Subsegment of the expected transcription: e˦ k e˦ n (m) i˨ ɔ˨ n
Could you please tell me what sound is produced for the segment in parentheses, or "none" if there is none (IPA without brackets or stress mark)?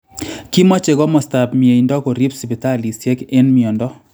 m